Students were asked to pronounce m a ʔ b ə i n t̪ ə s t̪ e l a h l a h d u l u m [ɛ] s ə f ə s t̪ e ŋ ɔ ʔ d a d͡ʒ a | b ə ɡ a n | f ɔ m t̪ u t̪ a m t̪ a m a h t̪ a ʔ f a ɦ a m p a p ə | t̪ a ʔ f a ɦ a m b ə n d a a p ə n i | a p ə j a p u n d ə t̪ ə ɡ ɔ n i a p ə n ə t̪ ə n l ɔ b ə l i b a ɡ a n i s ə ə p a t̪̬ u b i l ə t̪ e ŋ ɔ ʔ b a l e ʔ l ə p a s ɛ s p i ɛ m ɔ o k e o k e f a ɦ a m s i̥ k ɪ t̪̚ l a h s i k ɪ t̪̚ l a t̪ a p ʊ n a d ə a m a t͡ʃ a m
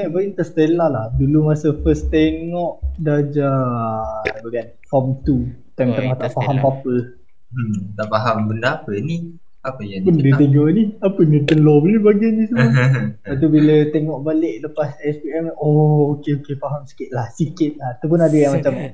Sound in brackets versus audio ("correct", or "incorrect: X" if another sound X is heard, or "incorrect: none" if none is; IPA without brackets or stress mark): incorrect: a